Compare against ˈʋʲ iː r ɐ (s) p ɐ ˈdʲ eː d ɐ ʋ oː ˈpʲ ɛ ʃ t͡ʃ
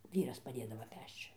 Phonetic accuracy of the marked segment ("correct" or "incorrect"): correct